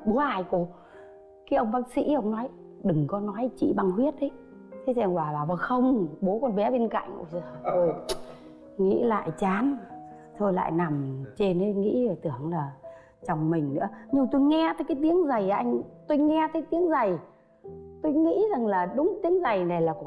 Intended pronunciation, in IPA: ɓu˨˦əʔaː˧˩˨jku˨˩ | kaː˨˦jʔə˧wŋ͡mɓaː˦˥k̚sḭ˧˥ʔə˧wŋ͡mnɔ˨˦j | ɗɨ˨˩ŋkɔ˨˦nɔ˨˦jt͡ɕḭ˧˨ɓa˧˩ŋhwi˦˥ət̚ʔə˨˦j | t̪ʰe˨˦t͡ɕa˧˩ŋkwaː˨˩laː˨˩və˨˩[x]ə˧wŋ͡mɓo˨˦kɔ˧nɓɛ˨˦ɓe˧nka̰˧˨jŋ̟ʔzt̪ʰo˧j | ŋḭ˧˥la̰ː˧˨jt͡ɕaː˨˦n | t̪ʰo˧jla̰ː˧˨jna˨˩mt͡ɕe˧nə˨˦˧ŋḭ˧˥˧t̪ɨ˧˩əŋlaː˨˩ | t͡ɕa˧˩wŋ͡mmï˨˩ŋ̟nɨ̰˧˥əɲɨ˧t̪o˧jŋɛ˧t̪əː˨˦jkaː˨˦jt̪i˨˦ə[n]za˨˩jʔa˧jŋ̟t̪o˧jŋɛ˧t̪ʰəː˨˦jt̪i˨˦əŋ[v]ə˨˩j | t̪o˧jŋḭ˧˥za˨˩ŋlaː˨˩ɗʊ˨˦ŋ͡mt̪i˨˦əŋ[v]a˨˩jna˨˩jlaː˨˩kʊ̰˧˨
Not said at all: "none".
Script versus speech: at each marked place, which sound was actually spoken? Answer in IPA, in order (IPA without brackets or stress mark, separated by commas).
x, ŋ, z, z